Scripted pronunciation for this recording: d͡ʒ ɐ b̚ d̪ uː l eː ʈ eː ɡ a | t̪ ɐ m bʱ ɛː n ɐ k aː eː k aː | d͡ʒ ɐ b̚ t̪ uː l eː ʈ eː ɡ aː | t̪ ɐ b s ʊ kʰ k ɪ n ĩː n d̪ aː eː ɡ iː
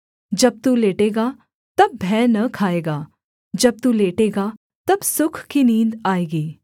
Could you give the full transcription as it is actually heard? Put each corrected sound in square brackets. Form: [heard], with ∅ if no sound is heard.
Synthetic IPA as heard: d͡ʒ ɐ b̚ [t̪] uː l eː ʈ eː ɡ a | t̪ ɐ [b] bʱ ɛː n ɐ [kʰ] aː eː [ɡ] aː | d͡ʒ ɐ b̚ t̪ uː l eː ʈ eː ɡ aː | t̪ ɐ b s ʊ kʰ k [i] n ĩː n d̪ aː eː ɡ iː